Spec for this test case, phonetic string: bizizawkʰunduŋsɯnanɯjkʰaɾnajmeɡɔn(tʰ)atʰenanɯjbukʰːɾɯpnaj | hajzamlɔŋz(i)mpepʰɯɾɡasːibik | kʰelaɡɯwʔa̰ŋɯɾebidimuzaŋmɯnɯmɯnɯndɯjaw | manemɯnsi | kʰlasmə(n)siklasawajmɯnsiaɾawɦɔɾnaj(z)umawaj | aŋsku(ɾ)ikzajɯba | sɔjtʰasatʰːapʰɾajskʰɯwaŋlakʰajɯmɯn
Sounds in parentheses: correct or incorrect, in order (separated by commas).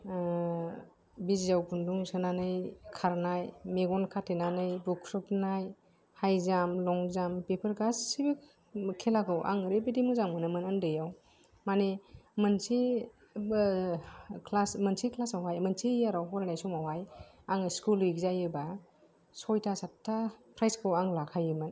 incorrect, incorrect, correct, incorrect, incorrect